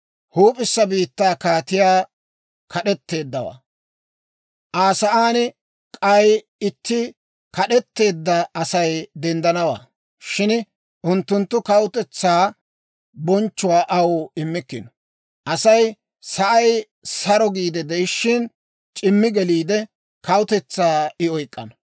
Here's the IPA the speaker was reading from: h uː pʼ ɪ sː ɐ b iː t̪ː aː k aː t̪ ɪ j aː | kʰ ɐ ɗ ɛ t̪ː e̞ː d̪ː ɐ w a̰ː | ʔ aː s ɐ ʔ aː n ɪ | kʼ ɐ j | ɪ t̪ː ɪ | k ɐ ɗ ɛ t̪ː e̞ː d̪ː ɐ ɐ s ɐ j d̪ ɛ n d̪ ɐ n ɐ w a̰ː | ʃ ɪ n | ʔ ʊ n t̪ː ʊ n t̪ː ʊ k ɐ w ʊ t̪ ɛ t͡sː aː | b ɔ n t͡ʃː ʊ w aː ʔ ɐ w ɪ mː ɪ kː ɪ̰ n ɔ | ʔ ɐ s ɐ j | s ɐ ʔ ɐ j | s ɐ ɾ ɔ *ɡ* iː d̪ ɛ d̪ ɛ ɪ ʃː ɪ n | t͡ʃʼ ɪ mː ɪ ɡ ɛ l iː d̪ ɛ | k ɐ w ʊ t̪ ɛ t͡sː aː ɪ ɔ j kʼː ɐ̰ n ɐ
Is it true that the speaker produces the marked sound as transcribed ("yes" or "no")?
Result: yes